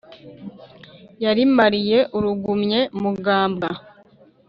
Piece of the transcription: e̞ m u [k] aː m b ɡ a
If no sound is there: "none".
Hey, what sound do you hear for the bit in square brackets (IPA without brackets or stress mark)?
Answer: ɡ